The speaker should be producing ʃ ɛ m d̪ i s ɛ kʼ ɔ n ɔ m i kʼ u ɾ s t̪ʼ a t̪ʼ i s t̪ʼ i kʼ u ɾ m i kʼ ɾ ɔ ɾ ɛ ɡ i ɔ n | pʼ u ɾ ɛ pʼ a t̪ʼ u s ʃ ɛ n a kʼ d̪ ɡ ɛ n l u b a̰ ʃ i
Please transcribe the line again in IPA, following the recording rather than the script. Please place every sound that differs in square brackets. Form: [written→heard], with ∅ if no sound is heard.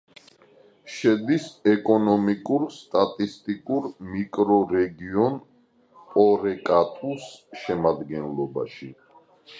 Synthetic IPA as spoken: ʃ ɛ [m→∅] d̪ i s ɛ kʼ ɔ n ɔ m i kʼ u ɾ s t̪ʼ a t̪ʼ i s t̪ʼ i kʼ u ɾ m i kʼ ɾ ɔ ɾ ɛ ɡ i ɔ n | pʼ [u→ɔ] ɾ ɛ [pʼ→kʼ] a t̪ʼ u s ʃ ɛ [n→m] a [kʼ→∅] d̪ ɡ ɛ n l [u→ɔ] b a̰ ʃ i